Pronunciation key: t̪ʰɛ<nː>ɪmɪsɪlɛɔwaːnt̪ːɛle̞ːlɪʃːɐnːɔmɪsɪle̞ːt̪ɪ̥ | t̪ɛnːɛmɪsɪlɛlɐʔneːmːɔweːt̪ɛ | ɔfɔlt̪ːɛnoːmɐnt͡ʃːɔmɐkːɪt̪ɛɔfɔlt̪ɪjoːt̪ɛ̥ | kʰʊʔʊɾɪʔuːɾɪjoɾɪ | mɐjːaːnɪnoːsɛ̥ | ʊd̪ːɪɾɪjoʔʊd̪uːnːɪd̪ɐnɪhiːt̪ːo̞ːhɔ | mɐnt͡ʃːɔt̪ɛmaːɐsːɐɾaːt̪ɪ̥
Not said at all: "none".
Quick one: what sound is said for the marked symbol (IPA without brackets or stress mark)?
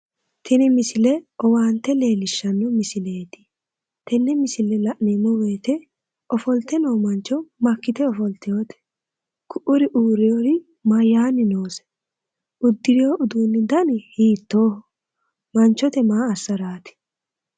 n